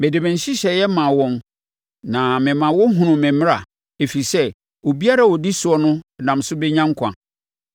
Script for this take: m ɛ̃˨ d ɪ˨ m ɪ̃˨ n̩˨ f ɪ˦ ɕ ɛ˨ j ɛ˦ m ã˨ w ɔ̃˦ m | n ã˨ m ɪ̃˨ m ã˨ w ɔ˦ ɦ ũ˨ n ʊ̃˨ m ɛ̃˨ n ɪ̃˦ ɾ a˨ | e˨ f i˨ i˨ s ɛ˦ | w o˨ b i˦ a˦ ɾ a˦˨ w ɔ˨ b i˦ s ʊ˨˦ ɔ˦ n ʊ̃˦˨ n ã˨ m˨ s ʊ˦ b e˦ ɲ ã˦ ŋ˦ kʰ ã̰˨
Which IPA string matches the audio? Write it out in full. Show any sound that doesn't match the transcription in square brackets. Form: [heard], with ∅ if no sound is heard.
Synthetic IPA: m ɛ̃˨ d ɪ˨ m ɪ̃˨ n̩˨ [ɕ] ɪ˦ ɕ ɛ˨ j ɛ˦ m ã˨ w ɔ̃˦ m | n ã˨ m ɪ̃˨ m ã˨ w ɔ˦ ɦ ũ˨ n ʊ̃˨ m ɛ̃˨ [m] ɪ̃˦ ɾ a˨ | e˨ f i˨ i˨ s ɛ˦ | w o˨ b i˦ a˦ ɾ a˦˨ w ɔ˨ [d] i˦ s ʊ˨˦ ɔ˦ n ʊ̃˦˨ n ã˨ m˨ s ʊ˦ b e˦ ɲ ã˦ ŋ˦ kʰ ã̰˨